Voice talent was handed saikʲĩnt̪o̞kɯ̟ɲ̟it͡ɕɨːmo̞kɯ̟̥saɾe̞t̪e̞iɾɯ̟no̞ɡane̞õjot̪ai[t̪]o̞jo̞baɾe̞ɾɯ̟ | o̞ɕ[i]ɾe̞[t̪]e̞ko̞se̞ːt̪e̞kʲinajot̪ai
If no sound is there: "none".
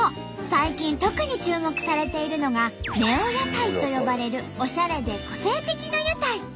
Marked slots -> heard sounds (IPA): t̪, a, d̪

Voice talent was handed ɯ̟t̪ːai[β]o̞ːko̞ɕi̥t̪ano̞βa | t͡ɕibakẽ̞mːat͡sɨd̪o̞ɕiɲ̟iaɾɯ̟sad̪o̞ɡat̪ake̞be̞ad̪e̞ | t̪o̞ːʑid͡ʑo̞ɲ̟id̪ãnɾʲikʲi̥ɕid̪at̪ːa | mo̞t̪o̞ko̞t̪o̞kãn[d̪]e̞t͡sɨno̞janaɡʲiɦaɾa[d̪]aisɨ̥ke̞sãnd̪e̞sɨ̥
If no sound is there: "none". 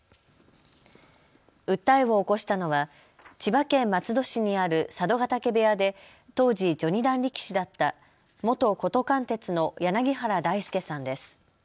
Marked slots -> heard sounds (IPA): β, t̪, d̪

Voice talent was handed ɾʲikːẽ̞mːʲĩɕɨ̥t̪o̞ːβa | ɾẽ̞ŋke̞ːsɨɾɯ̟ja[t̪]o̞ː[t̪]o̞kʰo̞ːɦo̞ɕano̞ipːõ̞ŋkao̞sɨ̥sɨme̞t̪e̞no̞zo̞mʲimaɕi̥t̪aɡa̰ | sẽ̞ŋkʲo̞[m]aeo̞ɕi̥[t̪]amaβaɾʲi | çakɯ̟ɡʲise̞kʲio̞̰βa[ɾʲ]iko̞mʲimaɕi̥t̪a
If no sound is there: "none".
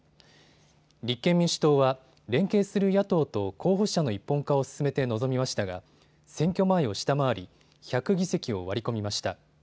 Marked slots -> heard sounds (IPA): t̪, t̪, m, t̪, ɾʲ

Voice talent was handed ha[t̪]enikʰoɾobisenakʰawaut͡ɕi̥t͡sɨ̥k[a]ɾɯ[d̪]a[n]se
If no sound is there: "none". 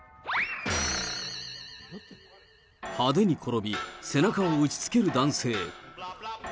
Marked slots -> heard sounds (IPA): d̪, e, d̪, n

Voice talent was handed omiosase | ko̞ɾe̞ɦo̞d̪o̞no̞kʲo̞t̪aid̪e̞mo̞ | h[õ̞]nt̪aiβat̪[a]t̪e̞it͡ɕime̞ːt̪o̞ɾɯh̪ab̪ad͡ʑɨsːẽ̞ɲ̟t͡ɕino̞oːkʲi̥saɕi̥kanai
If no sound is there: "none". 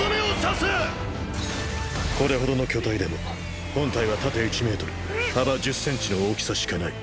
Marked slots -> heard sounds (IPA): õ̞, a

